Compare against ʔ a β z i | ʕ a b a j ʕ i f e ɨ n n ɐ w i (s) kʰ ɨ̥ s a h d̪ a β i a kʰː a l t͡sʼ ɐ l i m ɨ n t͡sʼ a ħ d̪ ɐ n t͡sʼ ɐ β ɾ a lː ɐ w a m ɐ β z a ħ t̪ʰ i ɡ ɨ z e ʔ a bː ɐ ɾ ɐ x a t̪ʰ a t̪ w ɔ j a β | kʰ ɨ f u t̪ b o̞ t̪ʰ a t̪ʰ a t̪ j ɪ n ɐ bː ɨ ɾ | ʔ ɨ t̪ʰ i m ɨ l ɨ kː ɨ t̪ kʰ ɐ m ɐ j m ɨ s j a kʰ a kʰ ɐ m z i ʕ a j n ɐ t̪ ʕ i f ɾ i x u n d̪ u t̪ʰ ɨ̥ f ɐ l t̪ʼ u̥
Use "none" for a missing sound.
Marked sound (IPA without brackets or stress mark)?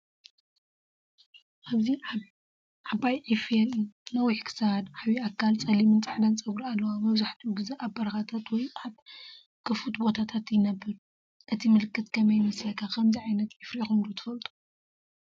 ħ